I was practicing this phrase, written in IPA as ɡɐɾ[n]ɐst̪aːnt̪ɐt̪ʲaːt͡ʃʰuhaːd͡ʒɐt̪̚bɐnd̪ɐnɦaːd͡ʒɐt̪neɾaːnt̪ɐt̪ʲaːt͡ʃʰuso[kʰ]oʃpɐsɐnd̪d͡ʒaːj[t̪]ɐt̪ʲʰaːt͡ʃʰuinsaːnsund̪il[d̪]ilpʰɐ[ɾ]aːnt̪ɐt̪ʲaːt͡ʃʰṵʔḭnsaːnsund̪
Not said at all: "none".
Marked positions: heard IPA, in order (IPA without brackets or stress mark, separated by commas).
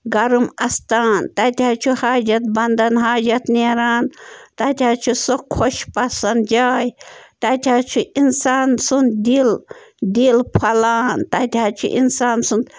m, kʰ, t̪, d̪, l